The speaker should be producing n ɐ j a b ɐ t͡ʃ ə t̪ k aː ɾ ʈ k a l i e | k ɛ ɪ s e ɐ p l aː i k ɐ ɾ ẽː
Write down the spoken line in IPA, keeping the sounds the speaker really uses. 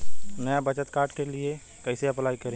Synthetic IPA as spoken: n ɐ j a b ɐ t͡ʃ ə t̪ k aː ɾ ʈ k e l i e | k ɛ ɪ s e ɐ p l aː i k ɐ ɾ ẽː